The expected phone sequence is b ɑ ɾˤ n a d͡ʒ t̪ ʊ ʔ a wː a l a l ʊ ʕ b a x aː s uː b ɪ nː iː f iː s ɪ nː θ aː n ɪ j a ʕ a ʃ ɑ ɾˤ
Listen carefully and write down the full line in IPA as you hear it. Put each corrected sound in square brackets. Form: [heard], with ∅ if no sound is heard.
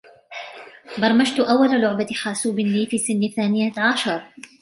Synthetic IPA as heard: b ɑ ɾˤ [m] a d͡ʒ t̪ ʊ ʔ a wː a l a l ʊ ʕ b a x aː s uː b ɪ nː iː f iː s ɪ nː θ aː n ɪ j a ʕ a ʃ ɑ ɾˤ

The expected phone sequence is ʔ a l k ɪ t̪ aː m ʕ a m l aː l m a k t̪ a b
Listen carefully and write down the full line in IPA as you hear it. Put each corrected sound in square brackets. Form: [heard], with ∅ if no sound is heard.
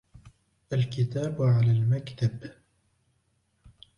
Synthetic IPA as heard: ʔ a l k ɪ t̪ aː [b] ʕ a [∅] l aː l m a k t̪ a b

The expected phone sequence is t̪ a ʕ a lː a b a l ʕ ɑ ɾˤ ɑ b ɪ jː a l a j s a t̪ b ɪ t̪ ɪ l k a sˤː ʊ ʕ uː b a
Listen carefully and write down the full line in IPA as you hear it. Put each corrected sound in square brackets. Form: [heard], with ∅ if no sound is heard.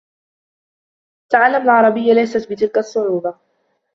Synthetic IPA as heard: t̪ a ʕ a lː a [m] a l ʕ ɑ ɾˤ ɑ b ɪ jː a l a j s a t̪ b ɪ t̪ ɪ l k a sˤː ʊ ʕ uː b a

